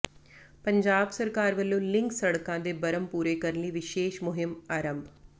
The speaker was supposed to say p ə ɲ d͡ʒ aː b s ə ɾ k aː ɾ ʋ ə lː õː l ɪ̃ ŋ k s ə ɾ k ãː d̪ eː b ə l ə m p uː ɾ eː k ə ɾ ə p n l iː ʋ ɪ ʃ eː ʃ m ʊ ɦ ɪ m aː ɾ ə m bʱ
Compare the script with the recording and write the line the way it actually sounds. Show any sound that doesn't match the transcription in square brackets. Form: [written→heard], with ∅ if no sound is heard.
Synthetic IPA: p ə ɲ d͡ʒ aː b s ə ɾ k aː ɾ ʋ ə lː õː l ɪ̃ ŋ k s ə [ɾ→ɽ] k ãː d̪ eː b ə [l→ɾ] ə m p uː ɾ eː k ə ɾ ə [p→∅] n l iː ʋ ɪ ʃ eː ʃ m ʊ ɦ ɪ m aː ɾ ə m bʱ